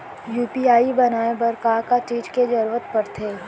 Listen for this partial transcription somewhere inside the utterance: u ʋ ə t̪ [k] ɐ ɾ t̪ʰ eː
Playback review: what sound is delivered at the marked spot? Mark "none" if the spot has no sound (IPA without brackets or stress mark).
p